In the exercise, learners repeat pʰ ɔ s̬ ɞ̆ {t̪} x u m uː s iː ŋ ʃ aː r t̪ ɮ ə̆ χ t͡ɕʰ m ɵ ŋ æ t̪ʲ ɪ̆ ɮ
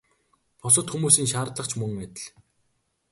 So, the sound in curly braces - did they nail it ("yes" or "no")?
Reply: yes